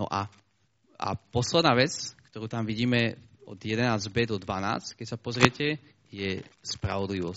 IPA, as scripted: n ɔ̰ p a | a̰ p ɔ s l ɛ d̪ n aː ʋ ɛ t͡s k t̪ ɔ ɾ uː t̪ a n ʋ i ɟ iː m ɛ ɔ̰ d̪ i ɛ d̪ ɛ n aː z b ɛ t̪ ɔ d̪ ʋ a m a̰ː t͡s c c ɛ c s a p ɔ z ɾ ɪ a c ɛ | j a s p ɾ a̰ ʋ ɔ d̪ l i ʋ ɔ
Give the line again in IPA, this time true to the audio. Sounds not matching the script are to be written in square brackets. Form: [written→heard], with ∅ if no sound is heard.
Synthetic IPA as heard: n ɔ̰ [p→ʔ] a | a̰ p ɔ s l ɛ d̪ n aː ʋ ɛ t͡s k t̪ ɔ ɾ uː t̪ a [n→m] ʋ i ɟ iː m ɛ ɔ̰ d̪ [i→j] ɛ d̪ ɛ n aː z b ɛ [t̪→d̪] ɔ d̪ ʋ a [m→n] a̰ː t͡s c [c→k] ɛ c s a p ɔ z ɾ ɪ [a→ɛ] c ɛ | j [a→ɛ] s p ɾ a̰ ʋ ɔ d̪ l i ʋ ɔ